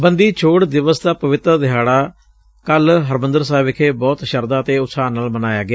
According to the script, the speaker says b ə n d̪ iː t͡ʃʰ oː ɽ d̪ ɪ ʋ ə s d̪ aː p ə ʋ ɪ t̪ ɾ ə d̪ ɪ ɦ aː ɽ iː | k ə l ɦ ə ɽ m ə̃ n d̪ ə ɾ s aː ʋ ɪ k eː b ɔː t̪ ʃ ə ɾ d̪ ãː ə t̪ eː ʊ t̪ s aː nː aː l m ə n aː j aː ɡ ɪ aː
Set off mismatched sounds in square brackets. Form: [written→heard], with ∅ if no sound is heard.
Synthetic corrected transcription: b ə n d̪ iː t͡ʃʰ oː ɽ d̪ ɪ ʋ ə s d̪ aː p ə ʋ ɪ t̪ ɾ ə d̪ ɪ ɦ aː ɽ [iː→aː] | k ə l ɦ ə [ɽ→ɾ] m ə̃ n d̪ ə ɾ s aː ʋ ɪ [k→kʰ] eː b ɔː t̪ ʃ ə ɾ d̪ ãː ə t̪ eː ʊ t̪ s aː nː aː l m ə n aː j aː ɡ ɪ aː